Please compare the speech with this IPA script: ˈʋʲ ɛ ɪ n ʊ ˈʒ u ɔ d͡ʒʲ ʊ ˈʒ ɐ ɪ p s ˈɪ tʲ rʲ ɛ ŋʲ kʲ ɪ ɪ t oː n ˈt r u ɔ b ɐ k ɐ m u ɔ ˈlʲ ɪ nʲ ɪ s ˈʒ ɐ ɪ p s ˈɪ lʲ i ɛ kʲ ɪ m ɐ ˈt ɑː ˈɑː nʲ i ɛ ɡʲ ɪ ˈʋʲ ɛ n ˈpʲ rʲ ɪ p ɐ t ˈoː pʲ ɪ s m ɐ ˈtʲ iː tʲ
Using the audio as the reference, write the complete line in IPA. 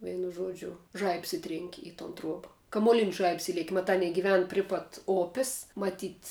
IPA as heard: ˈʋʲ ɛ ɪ n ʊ ˈʒ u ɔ d͡ʒʲ ʊ ˈʒ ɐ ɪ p s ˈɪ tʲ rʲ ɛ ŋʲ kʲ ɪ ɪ t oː n ˈt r u ɔ b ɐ k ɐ m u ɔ ˈlʲ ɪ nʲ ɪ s ˈʒ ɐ ɪ p s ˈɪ lʲ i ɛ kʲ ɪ m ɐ ˈt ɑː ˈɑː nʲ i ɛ ɡʲ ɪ ˈʋʲ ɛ n ˈpʲ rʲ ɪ p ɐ t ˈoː pʲ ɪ s m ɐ ˈtʲ iː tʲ